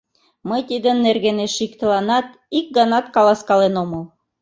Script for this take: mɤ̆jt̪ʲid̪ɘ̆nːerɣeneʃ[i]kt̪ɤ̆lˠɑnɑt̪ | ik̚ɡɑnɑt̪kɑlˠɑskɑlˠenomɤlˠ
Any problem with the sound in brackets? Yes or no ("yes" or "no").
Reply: no